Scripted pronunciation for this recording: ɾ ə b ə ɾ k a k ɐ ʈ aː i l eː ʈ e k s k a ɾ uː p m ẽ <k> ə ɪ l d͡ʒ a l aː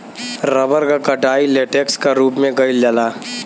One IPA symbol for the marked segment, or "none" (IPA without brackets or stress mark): ɡ